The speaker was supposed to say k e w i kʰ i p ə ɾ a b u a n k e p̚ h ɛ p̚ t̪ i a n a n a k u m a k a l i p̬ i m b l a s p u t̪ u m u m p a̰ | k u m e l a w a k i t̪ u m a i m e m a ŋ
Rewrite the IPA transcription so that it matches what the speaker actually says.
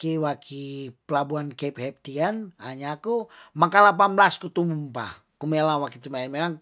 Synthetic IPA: k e w a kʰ i p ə l a b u a n k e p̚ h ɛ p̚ t̪ i a n a ɲ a k u m a k a l a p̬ a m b l a s k u t̪ u m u m p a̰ | k u m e l a w a k i t̪ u m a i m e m a ŋ

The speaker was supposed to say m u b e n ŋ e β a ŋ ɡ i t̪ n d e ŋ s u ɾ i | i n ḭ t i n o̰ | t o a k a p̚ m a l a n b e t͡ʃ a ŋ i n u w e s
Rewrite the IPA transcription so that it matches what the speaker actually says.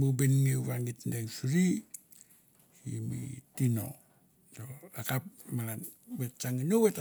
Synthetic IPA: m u b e n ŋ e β a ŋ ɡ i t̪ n d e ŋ s u ɾ i | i m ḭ t i n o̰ | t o a k a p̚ m a l a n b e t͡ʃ a ŋ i n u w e t

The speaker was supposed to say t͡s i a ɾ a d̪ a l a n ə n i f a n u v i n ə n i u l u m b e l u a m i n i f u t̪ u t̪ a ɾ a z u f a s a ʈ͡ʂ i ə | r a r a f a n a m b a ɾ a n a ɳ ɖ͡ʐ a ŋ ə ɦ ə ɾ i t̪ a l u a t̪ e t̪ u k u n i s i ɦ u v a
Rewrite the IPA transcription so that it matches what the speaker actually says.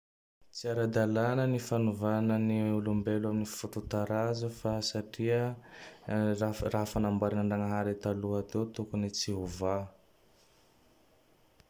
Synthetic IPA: t͡s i a ɾ a d̪ a l a n ə n i f a n u v a n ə n i u l u m b e l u a m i n i f u t̪ u t̪ a ɾ a z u f a s a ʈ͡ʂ i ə | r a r a f a n a m b a ɾ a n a ɳ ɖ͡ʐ a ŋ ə ɦ a ɾ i t̪ a l u a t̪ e t̪ u k u n i t͡s i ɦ u v a

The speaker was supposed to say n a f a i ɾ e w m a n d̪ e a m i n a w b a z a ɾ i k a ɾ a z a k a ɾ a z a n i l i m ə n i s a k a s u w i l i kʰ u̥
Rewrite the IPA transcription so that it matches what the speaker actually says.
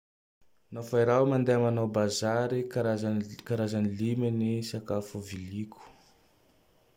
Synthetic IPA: n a f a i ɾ a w m a n d̪ e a m a n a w b a z a ɾ i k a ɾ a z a k a ɾ a z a n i l i m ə n i s a k a f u v i l i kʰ u̥

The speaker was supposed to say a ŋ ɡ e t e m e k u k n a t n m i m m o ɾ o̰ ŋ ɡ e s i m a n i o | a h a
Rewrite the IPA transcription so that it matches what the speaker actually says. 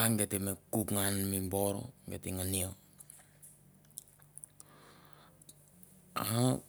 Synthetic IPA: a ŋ ɡ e t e m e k u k ŋ a n m i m b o ɾ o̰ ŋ ɡ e t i ŋ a n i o | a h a

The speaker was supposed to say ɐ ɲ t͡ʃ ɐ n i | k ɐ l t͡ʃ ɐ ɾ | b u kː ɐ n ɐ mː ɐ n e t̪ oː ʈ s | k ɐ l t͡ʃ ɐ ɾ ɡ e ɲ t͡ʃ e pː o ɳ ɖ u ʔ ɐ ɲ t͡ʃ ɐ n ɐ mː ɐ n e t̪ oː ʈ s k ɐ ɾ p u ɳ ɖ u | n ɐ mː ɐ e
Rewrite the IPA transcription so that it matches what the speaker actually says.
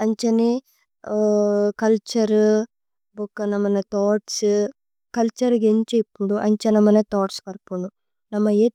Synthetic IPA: ɐ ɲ t͡ʃ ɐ n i | k ɐ l t͡ʃ ɐ ɾ | b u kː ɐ n ɐ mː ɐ n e t̪ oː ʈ s | k ɐ l t͡ʃ ɐ ɾ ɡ e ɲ t͡ʃ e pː u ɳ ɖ u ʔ ɐ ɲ t͡ʃ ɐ n ɐ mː ɐ n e t̪ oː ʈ s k ɐ ɾ p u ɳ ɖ u | n ɐ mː ɐ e

